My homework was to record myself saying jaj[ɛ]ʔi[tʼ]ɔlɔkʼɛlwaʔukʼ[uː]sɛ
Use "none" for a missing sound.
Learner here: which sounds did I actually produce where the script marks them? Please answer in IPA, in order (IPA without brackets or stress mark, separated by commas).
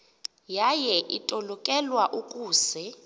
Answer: ɛ, tʼ, uː